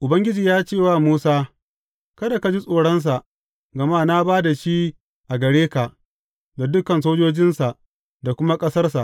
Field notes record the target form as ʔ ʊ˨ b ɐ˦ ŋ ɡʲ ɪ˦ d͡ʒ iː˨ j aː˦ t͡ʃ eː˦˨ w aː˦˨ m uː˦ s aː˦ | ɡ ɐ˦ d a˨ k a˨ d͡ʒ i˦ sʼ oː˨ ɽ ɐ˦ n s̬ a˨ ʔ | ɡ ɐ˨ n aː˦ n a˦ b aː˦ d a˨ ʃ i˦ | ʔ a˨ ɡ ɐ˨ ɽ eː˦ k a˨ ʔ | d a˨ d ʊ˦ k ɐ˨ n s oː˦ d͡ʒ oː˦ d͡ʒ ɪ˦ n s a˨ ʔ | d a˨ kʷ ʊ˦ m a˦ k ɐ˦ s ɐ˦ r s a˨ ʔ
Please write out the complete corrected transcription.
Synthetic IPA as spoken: ʔ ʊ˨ b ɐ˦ ŋ ɡʲ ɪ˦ d͡ʒ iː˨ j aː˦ t͡ʃ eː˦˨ w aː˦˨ m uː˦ s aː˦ | k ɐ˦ d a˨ k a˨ d͡ʒ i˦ sʼ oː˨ ɽ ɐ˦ n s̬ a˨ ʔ | ɡ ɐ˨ m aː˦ n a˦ b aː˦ d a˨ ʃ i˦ | ʔ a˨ ɡ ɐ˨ ɽ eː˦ k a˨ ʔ | d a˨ d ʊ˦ k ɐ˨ n s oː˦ d͡ʒ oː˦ d͡ʒ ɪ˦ n s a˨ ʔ | d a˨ kʷ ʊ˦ m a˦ kʼ ɐ˦ s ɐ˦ r s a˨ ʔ

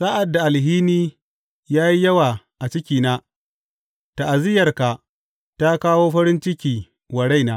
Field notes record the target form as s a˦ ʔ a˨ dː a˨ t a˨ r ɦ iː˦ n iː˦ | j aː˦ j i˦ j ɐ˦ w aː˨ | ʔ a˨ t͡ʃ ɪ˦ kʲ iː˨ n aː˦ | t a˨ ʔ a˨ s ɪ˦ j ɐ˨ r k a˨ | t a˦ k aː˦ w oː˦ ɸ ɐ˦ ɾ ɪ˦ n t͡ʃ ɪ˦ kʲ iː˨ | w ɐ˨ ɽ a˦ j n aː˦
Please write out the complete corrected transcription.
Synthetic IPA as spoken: s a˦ ʔ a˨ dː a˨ ʔ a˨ l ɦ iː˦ n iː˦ | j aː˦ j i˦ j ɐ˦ w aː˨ | ʔ a˨ t͡ʃ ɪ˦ kʲ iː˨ n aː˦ | t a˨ ʔ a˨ z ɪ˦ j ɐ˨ r k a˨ | t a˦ k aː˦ w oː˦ ɸ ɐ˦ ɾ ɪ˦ n t͡ʃ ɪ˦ kʲ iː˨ | w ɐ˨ ɽ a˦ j n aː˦

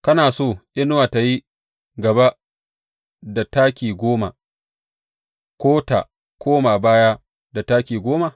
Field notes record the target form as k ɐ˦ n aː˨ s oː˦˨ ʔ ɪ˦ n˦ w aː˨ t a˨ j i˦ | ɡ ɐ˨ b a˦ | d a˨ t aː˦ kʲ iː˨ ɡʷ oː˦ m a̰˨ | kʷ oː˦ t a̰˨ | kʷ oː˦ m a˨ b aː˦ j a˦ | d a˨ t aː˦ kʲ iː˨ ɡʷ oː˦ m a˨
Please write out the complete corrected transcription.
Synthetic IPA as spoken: k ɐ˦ n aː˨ s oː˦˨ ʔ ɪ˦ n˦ w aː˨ t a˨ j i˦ | ɡ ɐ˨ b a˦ | d a˨ t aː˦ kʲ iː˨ ɡʷ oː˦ m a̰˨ | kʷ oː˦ t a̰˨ | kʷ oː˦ m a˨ b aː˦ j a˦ | d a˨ t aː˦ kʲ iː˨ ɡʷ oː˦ m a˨

